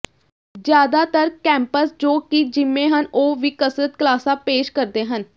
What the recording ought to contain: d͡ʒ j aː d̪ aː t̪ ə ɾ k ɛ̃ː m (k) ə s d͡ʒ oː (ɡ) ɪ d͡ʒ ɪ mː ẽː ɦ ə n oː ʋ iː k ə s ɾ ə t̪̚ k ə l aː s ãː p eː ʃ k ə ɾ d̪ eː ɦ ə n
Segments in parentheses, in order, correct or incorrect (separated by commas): incorrect, incorrect